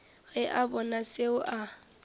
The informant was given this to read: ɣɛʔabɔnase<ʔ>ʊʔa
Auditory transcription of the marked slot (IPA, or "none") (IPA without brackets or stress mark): none